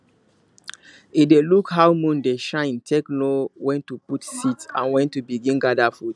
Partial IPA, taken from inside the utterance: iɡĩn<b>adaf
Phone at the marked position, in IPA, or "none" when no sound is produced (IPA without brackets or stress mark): ɡ